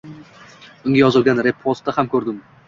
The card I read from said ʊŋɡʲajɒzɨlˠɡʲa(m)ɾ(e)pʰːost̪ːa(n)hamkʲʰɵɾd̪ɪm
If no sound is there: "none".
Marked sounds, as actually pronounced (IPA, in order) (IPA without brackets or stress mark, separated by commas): n, e, none